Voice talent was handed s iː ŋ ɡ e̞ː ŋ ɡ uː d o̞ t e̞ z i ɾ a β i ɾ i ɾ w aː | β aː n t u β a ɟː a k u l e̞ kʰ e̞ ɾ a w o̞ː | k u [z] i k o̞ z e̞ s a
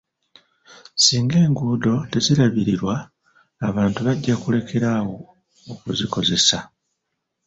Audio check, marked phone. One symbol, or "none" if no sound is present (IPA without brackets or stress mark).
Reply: z